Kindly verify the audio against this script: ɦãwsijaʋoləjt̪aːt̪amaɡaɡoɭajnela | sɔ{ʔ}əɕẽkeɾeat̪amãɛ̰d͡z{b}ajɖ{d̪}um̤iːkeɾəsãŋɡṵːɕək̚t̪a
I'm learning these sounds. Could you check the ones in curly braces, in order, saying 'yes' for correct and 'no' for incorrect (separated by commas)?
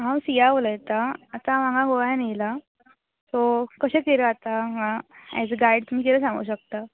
no, no, no